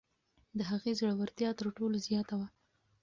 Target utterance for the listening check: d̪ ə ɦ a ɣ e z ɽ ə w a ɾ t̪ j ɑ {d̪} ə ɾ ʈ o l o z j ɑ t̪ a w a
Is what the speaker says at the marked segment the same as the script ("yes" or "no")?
no